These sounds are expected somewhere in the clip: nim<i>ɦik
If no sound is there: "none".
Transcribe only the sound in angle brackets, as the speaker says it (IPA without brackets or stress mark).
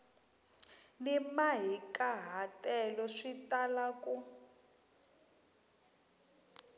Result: a